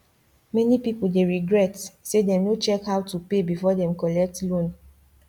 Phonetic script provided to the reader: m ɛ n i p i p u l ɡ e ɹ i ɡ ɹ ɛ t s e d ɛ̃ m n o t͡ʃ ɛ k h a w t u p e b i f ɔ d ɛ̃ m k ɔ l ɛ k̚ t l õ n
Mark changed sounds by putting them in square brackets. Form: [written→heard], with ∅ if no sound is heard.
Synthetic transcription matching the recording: m ɛ n i p i p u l [ɡ→d] e ɹ i ɡ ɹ ɛ t s e d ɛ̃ m n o t͡ʃ ɛ k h a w t u p e b i f ɔ d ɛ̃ m k ɔ l ɛ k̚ t l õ n